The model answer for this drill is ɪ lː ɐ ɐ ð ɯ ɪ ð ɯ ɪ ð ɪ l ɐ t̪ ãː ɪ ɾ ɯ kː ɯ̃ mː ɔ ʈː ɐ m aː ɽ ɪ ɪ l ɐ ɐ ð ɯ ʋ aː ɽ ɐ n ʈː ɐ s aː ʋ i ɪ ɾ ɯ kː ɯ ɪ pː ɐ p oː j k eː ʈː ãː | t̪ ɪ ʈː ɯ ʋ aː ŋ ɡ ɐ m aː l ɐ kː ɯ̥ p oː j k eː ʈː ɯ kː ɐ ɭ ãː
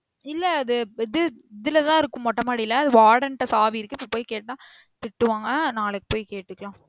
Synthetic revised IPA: ɪ lː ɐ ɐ ð ɯ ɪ ð ɯ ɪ ð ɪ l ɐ t̪ ãː ɪ ɾ ɯ kː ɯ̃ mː ɔ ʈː ɐ m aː ɽ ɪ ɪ l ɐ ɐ ð ɯ ʋ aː ɽ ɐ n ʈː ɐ s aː ʋ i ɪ ɾ ɯ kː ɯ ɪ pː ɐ p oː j k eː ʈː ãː | t̪ ɪ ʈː ɯ ʋ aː ŋ ɡ ɐ n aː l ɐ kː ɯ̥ p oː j k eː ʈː ɯ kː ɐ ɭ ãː